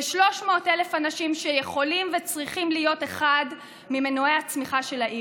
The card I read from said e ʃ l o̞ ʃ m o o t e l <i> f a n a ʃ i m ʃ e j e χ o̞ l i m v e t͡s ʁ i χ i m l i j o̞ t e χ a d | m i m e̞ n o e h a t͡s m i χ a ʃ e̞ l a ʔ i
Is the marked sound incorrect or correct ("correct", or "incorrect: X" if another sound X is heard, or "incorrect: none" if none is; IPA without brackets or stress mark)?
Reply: incorrect: e